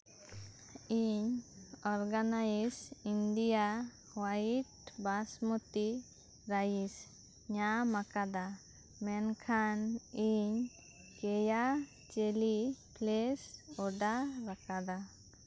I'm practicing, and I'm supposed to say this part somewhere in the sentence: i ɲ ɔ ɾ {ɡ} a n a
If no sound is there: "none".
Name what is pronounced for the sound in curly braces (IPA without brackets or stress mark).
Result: ɡ